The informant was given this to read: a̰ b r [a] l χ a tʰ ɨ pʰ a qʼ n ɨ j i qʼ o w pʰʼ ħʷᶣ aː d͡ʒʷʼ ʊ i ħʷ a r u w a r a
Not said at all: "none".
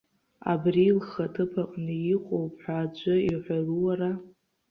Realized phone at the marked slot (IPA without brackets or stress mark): i